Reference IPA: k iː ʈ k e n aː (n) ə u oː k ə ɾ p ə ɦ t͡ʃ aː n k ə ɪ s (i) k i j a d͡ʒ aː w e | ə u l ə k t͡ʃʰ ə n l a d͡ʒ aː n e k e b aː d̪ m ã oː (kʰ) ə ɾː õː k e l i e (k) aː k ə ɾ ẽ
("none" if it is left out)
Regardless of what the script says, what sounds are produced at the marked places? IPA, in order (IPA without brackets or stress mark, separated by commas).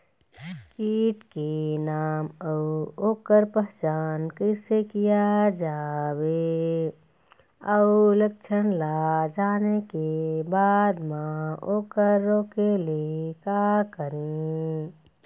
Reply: m, e, k, k